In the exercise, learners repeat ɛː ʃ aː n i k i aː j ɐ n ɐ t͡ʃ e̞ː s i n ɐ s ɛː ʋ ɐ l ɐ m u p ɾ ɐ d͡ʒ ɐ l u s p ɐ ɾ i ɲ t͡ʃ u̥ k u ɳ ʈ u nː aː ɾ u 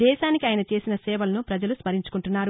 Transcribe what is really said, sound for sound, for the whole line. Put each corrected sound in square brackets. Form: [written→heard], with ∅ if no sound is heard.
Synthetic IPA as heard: ɛː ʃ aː n i k i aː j ɐ n ɐ t͡ʃ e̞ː s i n ɐ s ɛː ʋ ɐ l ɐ [m→n] u p ɾ ɐ d͡ʒ ɐ l u s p ɐ ɾ i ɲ t͡ʃ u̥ k u ɳ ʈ u nː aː ɾ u

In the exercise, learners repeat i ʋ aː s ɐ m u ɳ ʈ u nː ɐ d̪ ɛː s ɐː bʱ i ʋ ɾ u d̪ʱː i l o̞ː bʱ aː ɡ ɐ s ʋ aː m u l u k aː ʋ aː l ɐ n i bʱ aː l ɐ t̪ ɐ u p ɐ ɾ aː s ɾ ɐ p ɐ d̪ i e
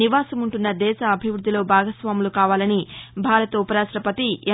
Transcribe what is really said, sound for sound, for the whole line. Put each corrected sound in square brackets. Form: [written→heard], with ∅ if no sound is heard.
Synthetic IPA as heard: i ʋ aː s ɐ m u ɳ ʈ u nː ɐ d̪ ɛː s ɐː bʱ i ʋ ɾ u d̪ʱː i l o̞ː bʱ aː ɡ ɐ s ʋ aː m u l u k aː ʋ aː l ɐ n i bʱ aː [l→ɾ] ɐ t̪ ɐ u p ɐ ɾ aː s ɾ ɐ p ɐ [d̪→t̪] i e

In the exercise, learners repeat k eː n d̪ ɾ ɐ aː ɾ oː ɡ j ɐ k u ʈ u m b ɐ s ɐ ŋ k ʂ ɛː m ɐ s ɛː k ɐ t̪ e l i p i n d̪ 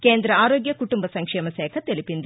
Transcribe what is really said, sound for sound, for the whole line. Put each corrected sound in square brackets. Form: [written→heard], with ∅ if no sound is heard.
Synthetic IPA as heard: k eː n d̪ ɾ ɐ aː ɾ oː ɡ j ɐ k u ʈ u m b ɐ s ɐ ŋ k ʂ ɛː m ɐ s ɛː [k→kʰ] ɐ t̪ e l i p i n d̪

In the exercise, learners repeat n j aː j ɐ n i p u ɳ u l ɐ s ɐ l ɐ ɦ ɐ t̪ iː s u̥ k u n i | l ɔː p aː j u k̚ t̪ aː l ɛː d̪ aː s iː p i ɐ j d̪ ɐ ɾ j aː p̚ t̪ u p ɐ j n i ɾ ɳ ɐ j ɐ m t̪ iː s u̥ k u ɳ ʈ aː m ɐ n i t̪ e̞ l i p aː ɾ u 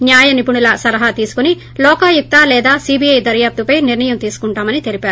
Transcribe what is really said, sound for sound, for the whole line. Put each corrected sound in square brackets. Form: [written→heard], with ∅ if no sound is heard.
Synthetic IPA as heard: n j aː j ɐ n i p u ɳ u l ɐ s ɐ l ɐ ɦ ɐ t̪ iː s u̥ k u n i | l ɔː [p→k] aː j u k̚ t̪ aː l ɛː d̪ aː s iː [p→b] i ɐ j d̪ ɐ ɾ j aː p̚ t̪ u p ɐ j n i ɾ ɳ ɐ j ɐ m t̪ iː s u̥ k u ɳ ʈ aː m ɐ n i t̪ e̞ l i p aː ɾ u

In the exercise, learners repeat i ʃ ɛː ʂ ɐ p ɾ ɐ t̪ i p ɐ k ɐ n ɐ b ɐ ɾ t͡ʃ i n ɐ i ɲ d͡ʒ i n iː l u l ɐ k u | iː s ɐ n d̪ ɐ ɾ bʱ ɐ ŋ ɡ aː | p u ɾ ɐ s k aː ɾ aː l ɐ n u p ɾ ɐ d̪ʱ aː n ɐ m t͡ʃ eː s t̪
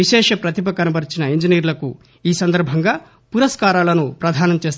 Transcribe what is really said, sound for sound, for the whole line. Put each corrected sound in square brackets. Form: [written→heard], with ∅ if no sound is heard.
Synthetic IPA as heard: i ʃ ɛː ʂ ɐ p ɾ ɐ t̪ i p ɐ k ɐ n ɐ b ɐ ɾ t͡ʃ i n ɐ i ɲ d͡ʒ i n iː [l→ɾ] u l ɐ k u | iː s ɐ n d̪ ɐ ɾ bʱ ɐ ŋ ɡ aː | p u ɾ ɐ s k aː ɾ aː l ɐ n u p ɾ ɐ d̪ʱ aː n ɐ m t͡ʃ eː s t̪

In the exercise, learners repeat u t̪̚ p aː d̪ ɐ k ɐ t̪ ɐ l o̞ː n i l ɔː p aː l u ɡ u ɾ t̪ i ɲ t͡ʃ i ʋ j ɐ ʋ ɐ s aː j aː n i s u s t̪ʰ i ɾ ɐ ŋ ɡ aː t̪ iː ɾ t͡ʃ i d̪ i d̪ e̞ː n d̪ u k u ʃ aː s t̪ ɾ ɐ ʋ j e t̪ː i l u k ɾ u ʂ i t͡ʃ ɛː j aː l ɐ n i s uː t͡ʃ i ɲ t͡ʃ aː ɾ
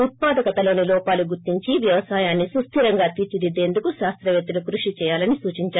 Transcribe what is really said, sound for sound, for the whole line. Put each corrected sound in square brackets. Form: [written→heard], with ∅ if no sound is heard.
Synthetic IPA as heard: u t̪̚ p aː d̪ ɐ k ɐ t̪ ɐ l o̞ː n i l ɔː p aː l u ɡ u ɾ t̪ i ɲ t͡ʃ i ʋ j ɐ ʋ ɐ s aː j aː [n→nː] i s u s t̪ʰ i ɾ ɐ ŋ ɡ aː t̪ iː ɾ t͡ʃ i d̪ i d̪ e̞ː n d̪ u k u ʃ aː s t̪ ɾ ɐ ʋ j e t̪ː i l u k ɾ u ʂ i t͡ʃ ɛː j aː l ɐ n i s uː t͡ʃ i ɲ t͡ʃ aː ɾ

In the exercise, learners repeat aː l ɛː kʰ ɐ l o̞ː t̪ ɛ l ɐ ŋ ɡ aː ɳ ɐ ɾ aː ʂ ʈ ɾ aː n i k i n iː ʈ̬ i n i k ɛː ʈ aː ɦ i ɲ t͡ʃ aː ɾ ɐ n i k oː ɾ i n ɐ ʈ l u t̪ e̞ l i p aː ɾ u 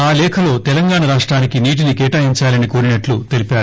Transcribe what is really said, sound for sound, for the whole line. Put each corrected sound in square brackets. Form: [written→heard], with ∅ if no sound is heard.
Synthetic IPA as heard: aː l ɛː kʰ ɐ l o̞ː t̪ ɛ l ɐ ŋ ɡ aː ɳ ɐ ɾ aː ʂ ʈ ɾ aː n i k i n iː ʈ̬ i n i k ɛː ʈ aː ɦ i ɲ t͡ʃ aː [ɾ→l] ɐ n i k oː ɾ i n ɐ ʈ l u t̪ e̞ l i p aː ɾ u

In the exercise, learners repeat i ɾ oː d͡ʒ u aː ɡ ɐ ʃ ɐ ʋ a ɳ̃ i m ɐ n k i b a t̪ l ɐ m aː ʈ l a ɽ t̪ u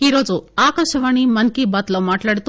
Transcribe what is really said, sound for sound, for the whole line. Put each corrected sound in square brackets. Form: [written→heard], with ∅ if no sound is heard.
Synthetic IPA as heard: i ɾ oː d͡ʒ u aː [ɡ→k] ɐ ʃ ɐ ʋ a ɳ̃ i m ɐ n k i b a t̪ l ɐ m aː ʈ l a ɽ t̪ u

